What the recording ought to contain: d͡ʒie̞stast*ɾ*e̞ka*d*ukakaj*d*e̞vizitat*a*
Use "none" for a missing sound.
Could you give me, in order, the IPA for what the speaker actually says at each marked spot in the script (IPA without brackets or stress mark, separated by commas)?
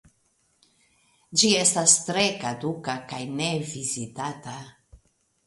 ɾ, d, n, a